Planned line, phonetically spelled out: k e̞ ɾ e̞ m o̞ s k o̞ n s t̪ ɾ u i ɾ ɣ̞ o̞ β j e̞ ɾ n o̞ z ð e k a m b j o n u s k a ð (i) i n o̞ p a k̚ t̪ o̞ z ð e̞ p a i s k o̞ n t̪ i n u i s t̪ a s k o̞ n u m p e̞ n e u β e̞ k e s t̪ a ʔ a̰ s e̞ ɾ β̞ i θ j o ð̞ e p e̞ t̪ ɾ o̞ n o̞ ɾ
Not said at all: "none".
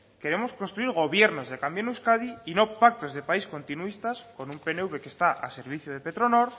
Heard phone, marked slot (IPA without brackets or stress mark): i